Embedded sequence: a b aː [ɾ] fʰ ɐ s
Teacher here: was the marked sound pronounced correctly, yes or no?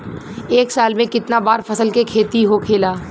yes